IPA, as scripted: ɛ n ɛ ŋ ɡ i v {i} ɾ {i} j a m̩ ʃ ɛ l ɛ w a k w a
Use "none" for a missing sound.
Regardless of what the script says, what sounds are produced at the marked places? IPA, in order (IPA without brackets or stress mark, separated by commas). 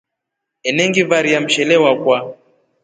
a, i